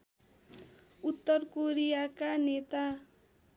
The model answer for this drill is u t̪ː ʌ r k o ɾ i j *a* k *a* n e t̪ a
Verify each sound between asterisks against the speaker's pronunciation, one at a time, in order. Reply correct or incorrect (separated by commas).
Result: correct, correct